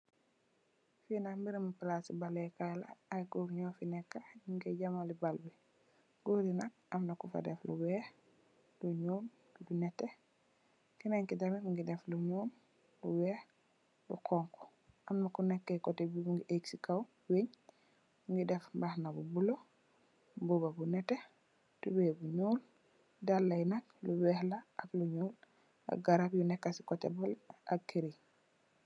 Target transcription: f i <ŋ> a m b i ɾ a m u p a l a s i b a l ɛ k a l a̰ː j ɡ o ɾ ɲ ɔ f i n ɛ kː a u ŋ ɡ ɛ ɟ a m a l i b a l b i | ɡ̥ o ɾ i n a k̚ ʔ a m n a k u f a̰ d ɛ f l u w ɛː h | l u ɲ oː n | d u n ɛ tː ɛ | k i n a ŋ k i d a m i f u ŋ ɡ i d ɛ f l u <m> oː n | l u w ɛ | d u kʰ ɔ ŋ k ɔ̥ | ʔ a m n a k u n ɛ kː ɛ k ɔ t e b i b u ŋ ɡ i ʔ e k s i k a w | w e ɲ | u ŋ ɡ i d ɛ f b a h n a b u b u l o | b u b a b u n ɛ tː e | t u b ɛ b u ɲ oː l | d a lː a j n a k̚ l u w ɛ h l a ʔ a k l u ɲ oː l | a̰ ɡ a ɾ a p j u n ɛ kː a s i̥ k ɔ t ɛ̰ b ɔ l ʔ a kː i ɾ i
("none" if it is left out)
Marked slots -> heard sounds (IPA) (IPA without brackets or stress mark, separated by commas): n, ɲ